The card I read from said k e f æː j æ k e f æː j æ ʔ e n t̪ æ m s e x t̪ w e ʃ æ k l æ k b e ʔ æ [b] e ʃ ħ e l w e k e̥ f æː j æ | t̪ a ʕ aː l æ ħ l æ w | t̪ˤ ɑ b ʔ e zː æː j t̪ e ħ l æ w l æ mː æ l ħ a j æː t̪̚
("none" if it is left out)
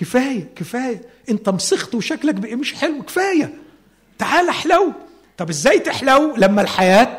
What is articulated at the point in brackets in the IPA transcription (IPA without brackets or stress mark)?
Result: m